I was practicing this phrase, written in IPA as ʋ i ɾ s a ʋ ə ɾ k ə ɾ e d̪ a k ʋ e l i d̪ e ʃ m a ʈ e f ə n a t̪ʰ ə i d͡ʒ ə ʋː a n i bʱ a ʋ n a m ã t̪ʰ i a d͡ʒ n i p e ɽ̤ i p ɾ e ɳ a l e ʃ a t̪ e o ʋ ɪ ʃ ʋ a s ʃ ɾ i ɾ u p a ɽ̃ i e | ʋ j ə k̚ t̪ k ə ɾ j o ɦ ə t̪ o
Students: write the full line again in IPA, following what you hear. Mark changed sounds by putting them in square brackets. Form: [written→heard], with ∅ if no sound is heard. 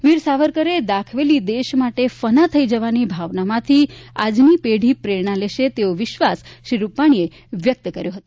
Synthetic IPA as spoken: ʋ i ɾ s a ʋ ə ɾ k ə ɾ e d̪ a [k→kʰ] ʋ e l i d̪ e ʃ m a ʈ e f ə n a t̪ʰ ə i d͡ʒ ə [ʋː→ʋ] a n i bʱ a ʋ n a m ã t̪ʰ i a d͡ʒ n i p e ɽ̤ i p ɾ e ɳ a l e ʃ [a→e] t̪ e o ʋ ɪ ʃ ʋ a s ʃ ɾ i ɾ u p a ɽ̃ i e | ʋ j ə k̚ t̪ k ə ɾ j o ɦ ə t̪ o